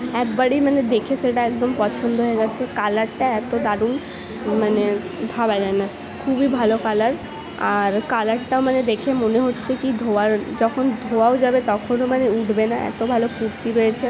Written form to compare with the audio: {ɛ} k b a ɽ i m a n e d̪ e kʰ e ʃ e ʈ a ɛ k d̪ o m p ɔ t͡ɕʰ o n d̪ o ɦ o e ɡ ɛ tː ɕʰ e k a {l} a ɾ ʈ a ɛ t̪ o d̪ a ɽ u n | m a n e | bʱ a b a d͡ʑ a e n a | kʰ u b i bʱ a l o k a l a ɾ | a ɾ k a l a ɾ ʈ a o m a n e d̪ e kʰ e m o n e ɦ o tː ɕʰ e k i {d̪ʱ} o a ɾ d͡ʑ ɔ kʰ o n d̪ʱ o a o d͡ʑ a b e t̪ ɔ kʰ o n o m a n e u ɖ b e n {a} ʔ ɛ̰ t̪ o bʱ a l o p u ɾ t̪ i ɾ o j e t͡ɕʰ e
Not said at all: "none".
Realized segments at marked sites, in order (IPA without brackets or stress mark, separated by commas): ɛ, l, d̪ʱ, a